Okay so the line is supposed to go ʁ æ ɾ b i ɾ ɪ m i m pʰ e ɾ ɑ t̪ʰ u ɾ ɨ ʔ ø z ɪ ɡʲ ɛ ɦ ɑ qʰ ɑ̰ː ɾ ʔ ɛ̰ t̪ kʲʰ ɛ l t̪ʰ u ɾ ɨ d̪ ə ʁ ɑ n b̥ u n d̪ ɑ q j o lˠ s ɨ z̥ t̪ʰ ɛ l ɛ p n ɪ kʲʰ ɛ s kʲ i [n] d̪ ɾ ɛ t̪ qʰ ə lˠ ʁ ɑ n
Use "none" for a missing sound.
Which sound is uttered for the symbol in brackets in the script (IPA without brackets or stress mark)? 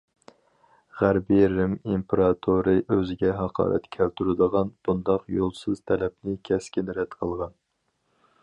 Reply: n